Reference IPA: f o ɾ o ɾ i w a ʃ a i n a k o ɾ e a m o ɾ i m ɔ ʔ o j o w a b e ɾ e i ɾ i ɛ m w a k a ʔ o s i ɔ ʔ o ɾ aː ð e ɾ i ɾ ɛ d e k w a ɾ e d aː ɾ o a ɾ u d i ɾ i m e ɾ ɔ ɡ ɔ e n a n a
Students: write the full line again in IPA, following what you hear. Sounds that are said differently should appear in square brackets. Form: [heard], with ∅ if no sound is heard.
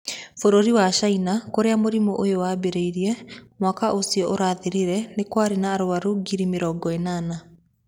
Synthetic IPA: f o ɾ o ɾ i w a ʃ a i n a k o ɾ e a m o ɾ i m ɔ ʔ o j o w a b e ɾ e i ɾ i ɛ m w a k a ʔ o s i ɔ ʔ o ɾ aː ð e ɾ i ɾ ɛ [n] e k w a ɾ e [n] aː ɾ o a ɾ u [ɡ] i ɾ i m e ɾ ɔ ɡ ɔ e n a n a